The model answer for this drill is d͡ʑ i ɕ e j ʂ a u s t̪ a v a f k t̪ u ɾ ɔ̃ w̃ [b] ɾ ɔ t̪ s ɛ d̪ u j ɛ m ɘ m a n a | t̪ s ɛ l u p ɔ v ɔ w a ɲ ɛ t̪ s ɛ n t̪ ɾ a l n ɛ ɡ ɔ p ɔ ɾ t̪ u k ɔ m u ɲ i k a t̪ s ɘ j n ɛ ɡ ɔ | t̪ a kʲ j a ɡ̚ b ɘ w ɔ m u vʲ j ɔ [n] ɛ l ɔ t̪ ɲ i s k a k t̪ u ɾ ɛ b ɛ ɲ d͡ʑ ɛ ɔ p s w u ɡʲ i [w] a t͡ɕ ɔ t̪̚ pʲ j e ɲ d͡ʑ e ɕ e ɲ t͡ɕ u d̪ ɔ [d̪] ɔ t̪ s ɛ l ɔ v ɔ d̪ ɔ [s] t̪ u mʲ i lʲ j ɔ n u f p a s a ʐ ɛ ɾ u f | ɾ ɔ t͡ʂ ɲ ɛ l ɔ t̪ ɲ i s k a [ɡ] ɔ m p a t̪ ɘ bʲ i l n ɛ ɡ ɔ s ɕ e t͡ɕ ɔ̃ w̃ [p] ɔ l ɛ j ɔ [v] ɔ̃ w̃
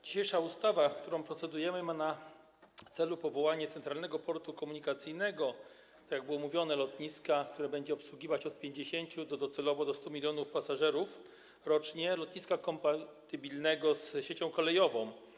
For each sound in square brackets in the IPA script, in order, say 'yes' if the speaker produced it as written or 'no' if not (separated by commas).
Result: no, yes, no, yes, yes, no, no, yes